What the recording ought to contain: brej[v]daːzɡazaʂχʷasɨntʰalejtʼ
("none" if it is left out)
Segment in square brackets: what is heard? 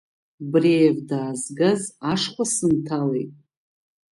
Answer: v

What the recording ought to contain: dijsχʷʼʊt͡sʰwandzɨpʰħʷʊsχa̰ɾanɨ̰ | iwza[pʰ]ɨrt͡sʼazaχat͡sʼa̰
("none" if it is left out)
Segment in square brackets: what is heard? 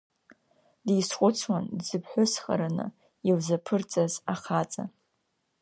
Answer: pʰ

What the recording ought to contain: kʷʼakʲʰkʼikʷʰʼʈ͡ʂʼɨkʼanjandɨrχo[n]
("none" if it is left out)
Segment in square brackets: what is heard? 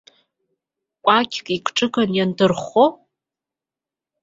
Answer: none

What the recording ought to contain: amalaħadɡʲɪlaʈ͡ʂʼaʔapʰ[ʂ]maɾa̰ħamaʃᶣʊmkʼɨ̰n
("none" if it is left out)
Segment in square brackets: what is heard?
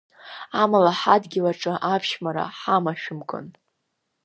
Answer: ʃ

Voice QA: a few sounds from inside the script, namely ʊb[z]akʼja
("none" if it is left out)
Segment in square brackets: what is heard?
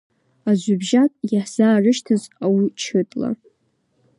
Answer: ʒ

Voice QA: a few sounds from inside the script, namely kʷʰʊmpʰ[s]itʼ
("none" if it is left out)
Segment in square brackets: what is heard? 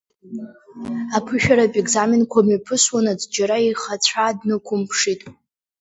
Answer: ʂ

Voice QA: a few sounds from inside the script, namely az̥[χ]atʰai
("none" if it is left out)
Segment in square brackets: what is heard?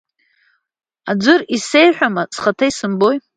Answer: χ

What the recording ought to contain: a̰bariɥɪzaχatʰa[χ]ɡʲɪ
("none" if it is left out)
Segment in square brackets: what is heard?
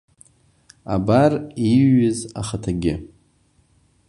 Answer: none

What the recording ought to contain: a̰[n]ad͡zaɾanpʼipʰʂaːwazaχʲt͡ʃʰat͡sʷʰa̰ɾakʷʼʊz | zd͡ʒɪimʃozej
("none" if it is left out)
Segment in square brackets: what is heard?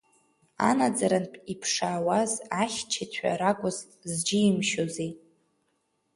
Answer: n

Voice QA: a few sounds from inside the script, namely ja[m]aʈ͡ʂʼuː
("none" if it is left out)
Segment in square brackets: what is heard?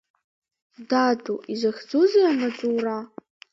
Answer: m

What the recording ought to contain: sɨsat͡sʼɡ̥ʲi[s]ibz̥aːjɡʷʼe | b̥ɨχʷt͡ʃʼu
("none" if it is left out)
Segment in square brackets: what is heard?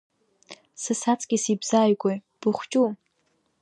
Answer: s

